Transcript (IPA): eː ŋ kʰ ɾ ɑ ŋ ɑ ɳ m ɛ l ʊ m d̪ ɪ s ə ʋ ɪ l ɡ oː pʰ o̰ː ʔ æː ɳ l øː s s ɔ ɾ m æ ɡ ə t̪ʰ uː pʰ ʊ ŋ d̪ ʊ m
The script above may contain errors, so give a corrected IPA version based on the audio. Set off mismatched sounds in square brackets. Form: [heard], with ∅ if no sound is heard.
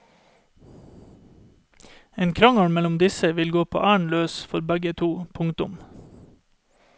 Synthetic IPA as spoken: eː [n] kʰ ɾ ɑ ŋ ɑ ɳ m ɛ l ʊ m d̪ ɪ s ə ʋ ɪ l ɡ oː pʰ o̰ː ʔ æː ɳ l øː s [f] ɔ ɾ [b] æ ɡ ə t̪ʰ uː pʰ ʊ ŋ [t̪] ʊ m